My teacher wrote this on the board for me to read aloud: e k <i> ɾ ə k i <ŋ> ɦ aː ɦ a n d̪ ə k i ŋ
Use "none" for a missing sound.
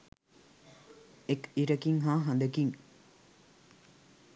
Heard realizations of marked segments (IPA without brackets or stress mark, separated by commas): i, ŋ